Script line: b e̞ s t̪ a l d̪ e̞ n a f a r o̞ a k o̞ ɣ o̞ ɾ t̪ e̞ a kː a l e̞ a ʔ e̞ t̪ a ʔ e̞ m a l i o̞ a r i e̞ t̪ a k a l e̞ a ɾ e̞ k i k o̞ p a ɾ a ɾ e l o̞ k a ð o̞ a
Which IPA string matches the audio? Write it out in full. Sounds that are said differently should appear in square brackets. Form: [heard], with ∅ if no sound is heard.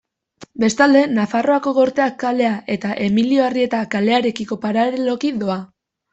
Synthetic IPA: b e̞ s t̪ a l d̪ e̞ n a f a r o̞ a k o̞ ɣ o̞ ɾ t̪ e̞ a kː a l e̞ a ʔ e̞ t̪ a ʔ e̞ m [i] l i o̞ a r i e̞ t̪ a k a l e̞ a ɾ e̞ k i k o̞ p a ɾ a ɾ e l o̞ k [i] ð o̞ a